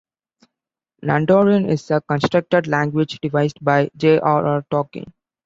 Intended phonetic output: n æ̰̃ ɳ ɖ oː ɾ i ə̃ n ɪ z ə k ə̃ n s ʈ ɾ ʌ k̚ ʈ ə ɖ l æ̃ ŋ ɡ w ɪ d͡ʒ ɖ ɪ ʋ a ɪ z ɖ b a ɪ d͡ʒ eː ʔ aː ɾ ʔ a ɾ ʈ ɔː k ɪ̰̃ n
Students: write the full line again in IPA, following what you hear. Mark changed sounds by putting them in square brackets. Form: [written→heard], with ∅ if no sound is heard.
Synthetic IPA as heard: n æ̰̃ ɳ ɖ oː ɾ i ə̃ n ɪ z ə k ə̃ n s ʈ ɾ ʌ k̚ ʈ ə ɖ l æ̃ ŋ ɡ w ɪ d͡ʒ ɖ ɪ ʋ a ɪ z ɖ b a ɪ d͡ʒ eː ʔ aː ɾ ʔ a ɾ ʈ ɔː k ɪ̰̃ [n→ŋ]